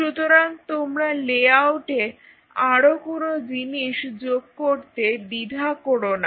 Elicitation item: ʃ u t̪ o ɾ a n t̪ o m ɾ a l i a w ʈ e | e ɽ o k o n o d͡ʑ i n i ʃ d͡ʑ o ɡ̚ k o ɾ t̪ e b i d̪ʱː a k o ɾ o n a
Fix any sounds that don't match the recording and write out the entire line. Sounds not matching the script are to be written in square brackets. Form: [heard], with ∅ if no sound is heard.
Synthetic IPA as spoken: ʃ u t̪ o ɾ a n t̪ o m ɾ a l [e] a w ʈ e | [a] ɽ o k o n o d͡ʑ i n i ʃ d͡ʑ o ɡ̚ k o ɾ t̪ e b i [d̪ʱ] a k o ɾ o n a